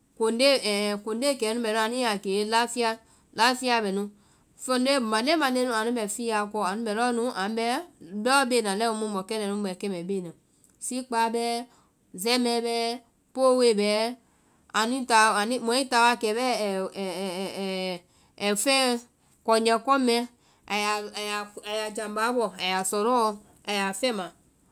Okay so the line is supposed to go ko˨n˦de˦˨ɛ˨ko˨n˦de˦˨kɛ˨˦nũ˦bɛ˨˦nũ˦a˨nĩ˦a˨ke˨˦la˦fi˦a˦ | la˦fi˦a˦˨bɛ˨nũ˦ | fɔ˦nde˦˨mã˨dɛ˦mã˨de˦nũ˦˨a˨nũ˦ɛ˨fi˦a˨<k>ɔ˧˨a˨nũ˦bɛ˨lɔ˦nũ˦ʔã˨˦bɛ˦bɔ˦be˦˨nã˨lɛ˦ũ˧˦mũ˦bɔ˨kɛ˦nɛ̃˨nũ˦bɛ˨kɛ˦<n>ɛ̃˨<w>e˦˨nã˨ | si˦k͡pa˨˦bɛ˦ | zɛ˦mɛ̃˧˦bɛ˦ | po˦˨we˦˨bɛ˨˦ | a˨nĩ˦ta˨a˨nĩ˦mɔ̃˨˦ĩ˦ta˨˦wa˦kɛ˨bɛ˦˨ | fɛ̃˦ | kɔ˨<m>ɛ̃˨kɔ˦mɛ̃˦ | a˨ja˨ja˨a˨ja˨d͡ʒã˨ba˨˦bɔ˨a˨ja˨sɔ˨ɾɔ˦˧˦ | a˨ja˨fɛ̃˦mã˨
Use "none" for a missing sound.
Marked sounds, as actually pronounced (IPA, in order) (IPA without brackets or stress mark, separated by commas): k, m, b, ɲ